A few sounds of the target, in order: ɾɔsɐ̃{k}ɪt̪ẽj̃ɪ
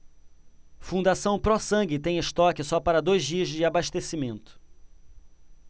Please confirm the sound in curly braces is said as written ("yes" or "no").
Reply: no